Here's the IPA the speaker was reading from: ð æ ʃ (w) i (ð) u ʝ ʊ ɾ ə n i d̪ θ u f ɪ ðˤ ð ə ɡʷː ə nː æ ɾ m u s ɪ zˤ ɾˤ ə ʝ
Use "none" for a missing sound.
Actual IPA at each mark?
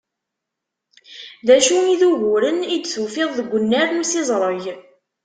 u, ð

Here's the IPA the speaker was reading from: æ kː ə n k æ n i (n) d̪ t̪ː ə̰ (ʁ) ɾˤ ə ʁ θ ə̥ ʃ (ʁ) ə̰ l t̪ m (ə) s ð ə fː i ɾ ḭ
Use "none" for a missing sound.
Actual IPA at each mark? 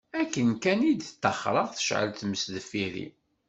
none, χ, ʕ, ə

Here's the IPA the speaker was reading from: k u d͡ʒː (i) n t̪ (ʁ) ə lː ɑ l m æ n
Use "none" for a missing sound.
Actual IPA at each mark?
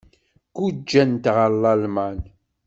æ, ʁ

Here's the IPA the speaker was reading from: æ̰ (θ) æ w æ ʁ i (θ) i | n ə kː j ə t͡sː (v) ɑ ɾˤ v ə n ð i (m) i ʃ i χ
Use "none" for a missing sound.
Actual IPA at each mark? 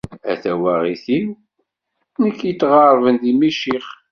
θ, θ, ʁ, m

